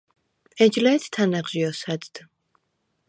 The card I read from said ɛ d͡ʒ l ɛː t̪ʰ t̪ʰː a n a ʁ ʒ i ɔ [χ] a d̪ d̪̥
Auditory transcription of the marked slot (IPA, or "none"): s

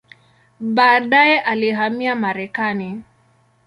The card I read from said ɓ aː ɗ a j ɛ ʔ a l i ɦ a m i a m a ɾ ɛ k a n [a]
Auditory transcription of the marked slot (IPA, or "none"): i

